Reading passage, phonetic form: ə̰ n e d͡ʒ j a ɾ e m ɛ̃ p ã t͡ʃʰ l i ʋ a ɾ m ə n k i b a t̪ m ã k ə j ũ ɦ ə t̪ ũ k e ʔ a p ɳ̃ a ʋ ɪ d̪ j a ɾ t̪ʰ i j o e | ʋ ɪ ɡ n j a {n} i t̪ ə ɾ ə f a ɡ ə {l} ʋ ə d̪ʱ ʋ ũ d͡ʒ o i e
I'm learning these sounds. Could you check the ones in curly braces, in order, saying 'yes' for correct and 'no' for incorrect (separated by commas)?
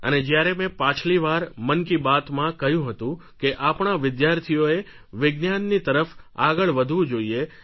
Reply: no, no